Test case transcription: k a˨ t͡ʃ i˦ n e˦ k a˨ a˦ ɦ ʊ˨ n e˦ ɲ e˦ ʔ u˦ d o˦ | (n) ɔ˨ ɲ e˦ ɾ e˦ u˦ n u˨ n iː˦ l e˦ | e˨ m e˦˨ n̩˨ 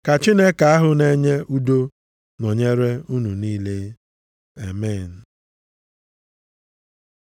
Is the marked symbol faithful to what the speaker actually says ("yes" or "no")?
yes